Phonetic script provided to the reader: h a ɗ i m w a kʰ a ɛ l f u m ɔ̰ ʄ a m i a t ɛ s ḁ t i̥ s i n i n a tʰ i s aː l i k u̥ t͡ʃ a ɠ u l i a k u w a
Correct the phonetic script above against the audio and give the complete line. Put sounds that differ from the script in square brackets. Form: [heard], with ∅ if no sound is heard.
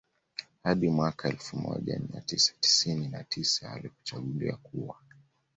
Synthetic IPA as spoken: h a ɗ i m w a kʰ a ɛ l f u m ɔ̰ ʄ a m i a t [i] s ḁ t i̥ s i n i n a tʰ i s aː l i k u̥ t͡ʃ a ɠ u l i a k u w a